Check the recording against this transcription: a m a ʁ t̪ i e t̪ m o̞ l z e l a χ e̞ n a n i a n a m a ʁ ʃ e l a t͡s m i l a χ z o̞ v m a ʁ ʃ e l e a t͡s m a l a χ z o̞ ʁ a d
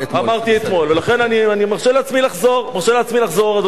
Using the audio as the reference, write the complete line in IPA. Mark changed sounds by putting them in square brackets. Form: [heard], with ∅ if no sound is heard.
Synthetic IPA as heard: a m a ʁ t̪ i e t̪ m o̞ l [v] e l a χ e̞ n a n i a n [i] m a ʁ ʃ e l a t͡s m i l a χ z o̞ [ʁ] m a ʁ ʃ e l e a t͡s m [i] l a χ z o̞ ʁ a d